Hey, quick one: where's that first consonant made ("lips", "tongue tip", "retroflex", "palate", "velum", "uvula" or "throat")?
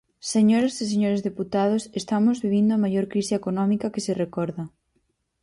tongue tip